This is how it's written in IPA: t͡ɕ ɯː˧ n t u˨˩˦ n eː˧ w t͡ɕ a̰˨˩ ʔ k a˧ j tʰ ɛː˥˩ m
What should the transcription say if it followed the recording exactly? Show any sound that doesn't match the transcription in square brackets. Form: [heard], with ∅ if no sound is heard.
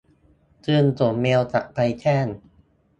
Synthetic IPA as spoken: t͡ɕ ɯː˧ n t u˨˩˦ [m] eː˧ w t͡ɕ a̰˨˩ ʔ [p] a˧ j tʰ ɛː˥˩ [n]